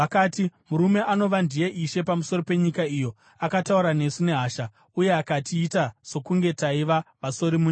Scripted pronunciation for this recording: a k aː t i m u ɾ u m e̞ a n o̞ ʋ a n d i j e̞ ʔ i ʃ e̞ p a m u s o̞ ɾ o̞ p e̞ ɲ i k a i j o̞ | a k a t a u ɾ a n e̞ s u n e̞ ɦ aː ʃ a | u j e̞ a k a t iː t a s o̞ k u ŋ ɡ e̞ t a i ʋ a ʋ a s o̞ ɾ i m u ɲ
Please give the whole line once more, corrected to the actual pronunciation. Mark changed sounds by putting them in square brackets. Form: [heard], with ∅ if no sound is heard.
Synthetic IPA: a k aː t i m u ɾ u m e̞ a n o̞ ʋ a n d i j e̞ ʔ i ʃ e̞ p a m u s o̞ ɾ o̞ p e̞ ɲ i k a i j o̞ | a k a t a u ɾ a n e̞ s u n e̞ ɦ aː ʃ a | u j e̞ a k a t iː t a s o̞ k u ŋ ɡ e̞ t a i ʋ a ʋ a s o̞ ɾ i m u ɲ